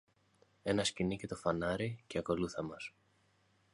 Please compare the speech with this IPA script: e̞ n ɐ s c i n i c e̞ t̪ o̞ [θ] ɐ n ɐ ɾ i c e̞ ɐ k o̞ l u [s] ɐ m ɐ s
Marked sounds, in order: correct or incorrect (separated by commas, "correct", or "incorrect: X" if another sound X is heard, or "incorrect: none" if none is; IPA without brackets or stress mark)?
incorrect: f, incorrect: θ